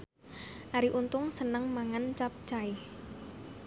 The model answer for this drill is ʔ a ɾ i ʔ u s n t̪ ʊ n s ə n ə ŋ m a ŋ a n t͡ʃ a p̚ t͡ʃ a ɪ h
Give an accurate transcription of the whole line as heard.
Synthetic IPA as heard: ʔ a ɾ i ʔ u n t̪ ʊ ŋ s ə n ə ŋ m a ŋ a n t͡ʃ a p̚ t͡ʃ a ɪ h